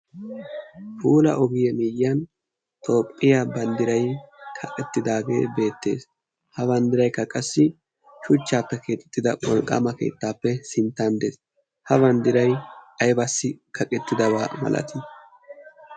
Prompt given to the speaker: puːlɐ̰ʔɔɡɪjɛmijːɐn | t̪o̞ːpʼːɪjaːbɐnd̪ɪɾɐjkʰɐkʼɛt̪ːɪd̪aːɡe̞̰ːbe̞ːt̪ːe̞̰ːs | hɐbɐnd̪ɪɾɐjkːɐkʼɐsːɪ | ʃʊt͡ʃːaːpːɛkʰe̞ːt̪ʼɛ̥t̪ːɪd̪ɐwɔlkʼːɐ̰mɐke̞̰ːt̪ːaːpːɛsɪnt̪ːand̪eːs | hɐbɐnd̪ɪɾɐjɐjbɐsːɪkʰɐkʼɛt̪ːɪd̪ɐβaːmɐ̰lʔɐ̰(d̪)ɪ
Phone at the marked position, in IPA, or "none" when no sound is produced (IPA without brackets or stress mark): t̪